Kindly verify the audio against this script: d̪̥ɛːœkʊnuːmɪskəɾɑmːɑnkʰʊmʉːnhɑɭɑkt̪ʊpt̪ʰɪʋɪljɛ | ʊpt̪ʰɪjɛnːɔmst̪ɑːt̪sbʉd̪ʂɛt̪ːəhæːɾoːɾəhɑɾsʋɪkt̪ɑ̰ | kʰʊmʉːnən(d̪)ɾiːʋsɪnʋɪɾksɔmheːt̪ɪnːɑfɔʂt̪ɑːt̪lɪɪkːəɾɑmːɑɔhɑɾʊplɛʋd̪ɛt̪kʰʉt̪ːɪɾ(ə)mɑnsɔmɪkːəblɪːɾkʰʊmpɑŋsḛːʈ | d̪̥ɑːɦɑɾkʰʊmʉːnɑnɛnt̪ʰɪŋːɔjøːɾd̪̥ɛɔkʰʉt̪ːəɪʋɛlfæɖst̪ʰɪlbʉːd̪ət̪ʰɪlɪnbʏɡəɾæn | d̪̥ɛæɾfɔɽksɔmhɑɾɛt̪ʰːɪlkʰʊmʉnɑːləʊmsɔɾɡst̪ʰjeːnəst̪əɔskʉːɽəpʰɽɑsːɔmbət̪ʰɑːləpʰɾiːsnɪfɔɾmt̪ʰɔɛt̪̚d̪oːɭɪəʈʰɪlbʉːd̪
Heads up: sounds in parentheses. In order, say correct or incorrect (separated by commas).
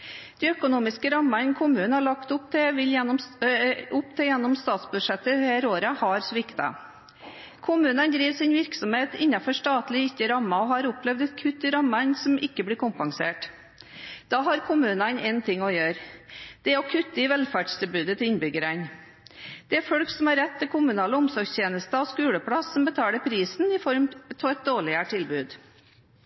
correct, incorrect